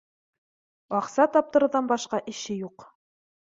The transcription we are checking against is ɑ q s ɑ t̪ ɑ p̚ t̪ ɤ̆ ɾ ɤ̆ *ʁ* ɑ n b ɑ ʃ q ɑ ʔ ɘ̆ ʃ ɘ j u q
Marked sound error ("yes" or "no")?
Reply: yes